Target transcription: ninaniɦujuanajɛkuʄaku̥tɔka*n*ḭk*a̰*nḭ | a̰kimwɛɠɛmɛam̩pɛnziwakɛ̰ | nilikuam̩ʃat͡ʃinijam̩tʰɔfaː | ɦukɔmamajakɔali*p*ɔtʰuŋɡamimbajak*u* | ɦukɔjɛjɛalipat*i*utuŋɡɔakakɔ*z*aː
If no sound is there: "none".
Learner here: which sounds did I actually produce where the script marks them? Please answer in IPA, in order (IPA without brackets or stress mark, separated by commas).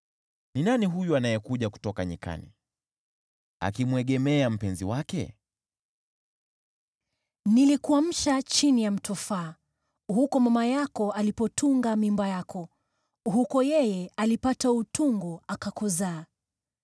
ɲ, a̰, p, ɔ, a, z